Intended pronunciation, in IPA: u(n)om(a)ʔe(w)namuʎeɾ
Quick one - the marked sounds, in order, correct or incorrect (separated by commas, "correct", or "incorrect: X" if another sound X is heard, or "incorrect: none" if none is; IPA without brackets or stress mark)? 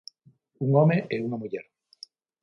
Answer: incorrect: ŋ, incorrect: e, incorrect: u